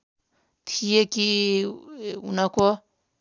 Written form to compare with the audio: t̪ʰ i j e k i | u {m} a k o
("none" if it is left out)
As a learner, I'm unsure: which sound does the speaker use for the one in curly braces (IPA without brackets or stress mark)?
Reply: n